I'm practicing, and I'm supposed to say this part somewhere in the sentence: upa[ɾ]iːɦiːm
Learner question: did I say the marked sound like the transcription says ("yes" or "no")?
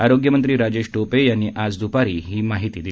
yes